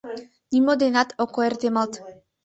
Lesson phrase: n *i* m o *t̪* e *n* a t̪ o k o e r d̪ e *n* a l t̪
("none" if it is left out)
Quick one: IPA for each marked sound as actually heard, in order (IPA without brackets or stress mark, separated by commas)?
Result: i, d̪, n, m